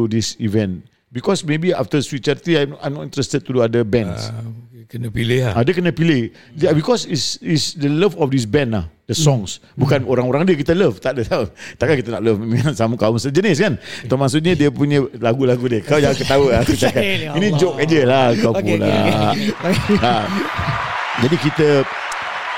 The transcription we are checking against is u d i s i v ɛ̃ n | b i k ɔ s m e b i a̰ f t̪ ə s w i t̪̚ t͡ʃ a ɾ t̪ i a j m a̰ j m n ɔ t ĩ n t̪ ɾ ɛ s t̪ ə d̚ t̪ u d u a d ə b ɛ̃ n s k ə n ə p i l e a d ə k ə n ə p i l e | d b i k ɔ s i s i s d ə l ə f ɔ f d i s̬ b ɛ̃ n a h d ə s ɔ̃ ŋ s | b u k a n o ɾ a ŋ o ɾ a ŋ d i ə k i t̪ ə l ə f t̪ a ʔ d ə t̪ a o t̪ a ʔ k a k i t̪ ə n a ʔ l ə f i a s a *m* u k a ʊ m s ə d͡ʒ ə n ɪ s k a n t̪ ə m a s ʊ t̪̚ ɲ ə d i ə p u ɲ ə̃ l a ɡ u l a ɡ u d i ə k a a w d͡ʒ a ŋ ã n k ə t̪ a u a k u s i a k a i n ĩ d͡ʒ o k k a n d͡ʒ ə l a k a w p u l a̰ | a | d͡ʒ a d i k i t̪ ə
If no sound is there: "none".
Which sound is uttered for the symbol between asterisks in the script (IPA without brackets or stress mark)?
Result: m